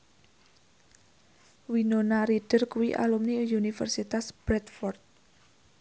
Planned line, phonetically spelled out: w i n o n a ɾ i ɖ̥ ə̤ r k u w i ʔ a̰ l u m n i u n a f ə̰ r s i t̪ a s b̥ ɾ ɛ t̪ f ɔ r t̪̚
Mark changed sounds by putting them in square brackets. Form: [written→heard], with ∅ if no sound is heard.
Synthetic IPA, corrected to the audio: w i n o n a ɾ i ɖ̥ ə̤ r k u w i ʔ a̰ l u m n i u n [a→i] f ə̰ r s i t̪ a s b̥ ɾ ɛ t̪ f ɔ r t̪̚